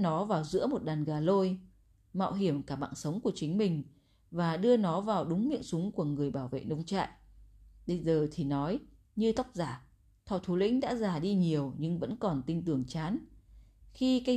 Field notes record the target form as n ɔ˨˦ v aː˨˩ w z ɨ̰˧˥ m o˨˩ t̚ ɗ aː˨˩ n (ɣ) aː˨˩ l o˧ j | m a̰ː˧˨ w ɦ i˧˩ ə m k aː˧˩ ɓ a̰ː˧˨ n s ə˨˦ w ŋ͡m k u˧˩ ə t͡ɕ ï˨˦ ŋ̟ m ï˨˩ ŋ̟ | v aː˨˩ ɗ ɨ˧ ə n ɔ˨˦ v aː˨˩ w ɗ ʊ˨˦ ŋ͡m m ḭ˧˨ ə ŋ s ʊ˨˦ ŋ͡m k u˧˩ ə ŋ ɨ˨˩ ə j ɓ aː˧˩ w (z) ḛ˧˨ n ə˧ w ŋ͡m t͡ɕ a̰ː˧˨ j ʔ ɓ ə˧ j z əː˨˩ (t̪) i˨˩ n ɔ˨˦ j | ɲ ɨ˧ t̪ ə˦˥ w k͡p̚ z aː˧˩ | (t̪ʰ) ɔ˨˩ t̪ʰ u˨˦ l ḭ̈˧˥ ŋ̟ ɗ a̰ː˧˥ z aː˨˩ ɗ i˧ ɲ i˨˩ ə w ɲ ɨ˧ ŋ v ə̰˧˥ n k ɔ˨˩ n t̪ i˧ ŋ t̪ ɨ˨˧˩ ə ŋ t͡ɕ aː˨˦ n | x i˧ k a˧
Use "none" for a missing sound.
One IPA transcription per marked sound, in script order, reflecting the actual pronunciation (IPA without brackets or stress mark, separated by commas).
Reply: ɣ, v, t̪ʰ, t̪ʰ